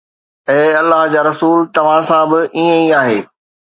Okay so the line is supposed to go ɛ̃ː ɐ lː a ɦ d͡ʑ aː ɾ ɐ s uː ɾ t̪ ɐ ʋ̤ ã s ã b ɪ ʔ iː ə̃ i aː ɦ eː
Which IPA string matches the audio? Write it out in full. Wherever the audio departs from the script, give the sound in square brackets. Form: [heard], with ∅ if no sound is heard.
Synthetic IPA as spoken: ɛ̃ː ɐ lː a ɦ d͡ʑ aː ɾ ɐ s uː [l] t̪ ɐ ʋ̤ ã s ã b ɪ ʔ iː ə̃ i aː ɦ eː

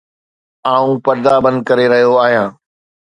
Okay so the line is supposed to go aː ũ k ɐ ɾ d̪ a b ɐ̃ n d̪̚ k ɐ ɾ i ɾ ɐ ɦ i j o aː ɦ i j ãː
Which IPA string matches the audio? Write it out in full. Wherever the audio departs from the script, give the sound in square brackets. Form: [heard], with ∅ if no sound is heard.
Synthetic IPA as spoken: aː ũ [p] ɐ ɾ d̪ a b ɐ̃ n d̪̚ k ɐ ɾ [e] ɾ ɐ ɦ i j o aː ɦ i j ãː

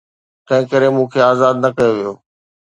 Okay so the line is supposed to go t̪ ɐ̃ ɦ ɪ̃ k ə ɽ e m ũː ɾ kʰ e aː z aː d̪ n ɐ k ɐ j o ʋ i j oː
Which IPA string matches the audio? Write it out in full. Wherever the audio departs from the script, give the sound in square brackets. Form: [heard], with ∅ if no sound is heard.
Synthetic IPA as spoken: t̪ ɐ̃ ɦ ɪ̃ k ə [ɾ] e m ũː [∅] kʰ e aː z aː d̪ n ɐ k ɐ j o ʋ i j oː

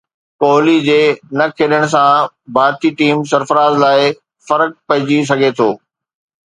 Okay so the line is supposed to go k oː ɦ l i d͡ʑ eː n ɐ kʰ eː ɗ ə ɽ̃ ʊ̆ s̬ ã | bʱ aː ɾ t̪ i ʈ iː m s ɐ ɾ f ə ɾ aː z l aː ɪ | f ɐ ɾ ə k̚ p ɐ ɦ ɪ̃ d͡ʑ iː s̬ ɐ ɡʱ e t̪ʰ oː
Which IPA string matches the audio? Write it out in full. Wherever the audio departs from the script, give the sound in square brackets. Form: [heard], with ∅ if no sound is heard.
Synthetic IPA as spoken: k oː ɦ l i d͡ʑ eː n ɐ kʰ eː ɗ ə ɽ̃ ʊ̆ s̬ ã | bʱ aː ɾ t̪ i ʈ iː m s ɐ ɾ f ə ɾ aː z l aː ɪ | f ɐ ɾ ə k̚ p ɐ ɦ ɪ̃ d͡ʑ [i] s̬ ɐ ɡʱ e t̪ʰ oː

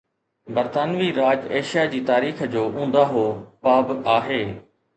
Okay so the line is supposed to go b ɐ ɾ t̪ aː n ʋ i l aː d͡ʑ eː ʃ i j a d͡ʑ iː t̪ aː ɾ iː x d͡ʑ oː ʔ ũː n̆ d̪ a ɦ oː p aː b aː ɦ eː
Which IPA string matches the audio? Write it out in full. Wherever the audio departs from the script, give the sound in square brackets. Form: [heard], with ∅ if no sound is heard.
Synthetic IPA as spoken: b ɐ ɾ t̪ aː n ʋ i [ɾ] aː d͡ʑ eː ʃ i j a d͡ʑ iː t̪ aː ɾ iː x d͡ʑ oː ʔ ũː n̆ d̪ a ɦ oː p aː b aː ɦ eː

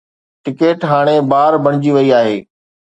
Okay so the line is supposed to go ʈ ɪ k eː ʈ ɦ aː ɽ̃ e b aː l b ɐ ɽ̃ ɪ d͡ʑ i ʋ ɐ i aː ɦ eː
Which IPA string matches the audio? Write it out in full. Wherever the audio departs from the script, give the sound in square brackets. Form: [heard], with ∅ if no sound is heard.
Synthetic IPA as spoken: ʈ ɪ k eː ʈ ɦ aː ɽ̃ e b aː [ɾ] b ɐ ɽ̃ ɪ d͡ʑ i ʋ ɐ i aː ɦ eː

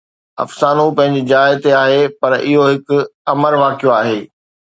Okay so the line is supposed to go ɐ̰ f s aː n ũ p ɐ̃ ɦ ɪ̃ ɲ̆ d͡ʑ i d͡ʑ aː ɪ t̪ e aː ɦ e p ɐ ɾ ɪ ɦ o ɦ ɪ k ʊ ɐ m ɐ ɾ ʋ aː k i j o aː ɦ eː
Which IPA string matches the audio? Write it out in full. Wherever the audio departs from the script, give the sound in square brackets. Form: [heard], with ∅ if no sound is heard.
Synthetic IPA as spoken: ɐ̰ f s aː n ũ p ɐ̃ ɦ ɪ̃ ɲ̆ d͡ʑ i d͡ʑ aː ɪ t̪ e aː ɦ e p ɐ ɾ ɪ ɦ o ɦ ɪ k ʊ ɐ m [ə] ɾ ʋ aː k i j o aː ɦ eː

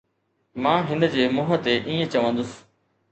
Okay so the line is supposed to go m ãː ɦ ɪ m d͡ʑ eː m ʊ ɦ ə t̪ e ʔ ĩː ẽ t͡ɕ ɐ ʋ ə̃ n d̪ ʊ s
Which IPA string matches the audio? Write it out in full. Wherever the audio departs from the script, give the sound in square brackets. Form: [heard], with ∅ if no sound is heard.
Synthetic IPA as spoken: m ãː ɦ ɪ [n] d͡ʑ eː m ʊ ɦ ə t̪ e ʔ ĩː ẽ t͡ɕ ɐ ʋ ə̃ n d̪ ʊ s

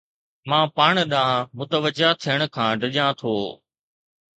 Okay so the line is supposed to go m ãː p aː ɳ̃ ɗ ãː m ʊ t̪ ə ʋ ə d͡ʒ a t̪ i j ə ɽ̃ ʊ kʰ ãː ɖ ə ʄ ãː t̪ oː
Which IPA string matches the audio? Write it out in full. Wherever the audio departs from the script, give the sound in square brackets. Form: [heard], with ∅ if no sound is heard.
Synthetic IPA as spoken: m ãː p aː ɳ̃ ɗ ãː m ʊ t̪ ə ʋ ə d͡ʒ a [t̪ʰ] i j ə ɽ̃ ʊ kʰ ãː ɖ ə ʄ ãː [t̪ʰ] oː

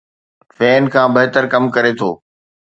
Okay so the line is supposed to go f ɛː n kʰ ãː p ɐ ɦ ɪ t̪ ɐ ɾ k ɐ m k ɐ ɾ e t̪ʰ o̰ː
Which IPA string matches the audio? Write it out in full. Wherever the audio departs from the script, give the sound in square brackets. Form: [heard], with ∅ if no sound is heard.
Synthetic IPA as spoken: f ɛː n kʰ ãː [b] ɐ ɦ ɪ t̪ [ə] ɾ k ɐ m k ɐ ɾ e t̪ʰ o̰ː

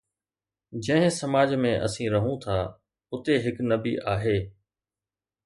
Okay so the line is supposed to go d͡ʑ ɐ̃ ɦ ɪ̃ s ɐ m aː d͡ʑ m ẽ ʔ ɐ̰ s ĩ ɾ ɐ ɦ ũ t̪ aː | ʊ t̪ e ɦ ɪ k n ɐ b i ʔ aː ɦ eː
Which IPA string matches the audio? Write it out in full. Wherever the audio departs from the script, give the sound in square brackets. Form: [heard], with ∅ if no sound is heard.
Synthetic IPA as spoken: d͡ʑ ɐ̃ ɦ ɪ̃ s ɐ m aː d͡ʑ m ẽ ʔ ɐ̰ s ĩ ɾ ɐ ɦ ũ [t̪ʰ] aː | ʊ t̪ e ɦ ɪ k n ɐ b i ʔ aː ɦ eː

